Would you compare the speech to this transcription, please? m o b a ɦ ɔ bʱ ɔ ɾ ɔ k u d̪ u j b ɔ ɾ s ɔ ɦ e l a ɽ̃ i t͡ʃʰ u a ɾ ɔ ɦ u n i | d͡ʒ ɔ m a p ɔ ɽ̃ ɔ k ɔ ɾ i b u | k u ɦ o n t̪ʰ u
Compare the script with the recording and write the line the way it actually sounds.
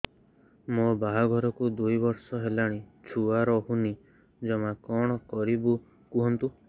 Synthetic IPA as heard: m o b a ɦ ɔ ɡʱ ɔ ɾ ɔ k u d̪ u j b ɔ ɾ s ɔ ɦ e l a ɽ̃ i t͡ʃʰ u a ɾ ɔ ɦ u n i | d͡ʒ ɔ m a k ɔ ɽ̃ ɔ k ɔ ɾ i b u | k u ɦ ɔ n t̪ u